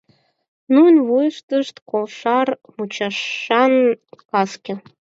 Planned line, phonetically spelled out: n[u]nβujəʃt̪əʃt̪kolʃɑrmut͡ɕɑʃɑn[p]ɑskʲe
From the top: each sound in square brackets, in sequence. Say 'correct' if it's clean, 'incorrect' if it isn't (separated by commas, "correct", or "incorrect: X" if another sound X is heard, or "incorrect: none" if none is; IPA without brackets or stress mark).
correct, incorrect: k